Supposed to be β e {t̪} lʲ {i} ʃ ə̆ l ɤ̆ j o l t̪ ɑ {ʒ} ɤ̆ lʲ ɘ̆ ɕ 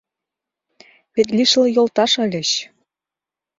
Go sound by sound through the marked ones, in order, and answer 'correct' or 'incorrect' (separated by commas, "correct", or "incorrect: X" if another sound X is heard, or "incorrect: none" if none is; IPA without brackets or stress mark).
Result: correct, correct, incorrect: ʃ